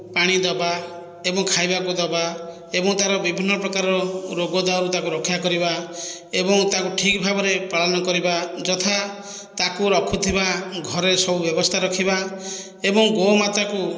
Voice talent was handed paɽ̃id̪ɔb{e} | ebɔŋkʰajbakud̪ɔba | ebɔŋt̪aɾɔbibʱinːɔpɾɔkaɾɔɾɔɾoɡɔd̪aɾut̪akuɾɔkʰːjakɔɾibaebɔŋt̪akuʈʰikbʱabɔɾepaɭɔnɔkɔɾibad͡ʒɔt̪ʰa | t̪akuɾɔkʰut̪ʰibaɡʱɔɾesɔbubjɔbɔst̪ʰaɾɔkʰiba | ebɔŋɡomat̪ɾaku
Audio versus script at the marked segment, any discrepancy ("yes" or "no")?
yes